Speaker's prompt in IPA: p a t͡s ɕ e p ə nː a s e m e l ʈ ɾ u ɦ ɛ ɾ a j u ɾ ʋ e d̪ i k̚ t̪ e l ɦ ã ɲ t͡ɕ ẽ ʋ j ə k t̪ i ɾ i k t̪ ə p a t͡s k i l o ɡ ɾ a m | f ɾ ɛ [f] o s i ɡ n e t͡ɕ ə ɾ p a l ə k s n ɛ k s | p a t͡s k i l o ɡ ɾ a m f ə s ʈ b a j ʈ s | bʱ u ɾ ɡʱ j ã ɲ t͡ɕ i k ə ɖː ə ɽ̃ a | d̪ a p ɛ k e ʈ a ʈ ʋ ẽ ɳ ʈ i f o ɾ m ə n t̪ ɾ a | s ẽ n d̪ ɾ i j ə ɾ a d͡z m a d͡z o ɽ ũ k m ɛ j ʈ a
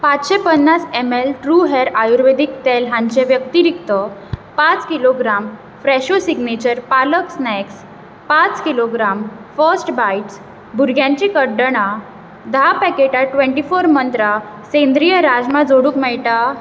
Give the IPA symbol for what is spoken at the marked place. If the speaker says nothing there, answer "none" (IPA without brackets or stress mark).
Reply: ɕ